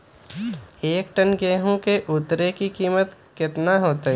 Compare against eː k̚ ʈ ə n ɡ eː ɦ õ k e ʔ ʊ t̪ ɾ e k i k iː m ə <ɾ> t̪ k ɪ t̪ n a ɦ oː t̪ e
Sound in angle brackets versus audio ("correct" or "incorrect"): incorrect